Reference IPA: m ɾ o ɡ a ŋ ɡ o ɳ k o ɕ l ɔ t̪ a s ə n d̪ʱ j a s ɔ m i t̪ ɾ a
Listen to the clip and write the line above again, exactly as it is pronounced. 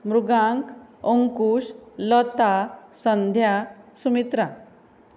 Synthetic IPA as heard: m ɾ u ɡ a ŋ k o ŋ k u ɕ l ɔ t̪ a s ə n d̪ʱ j a s u m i t̪ ɾ a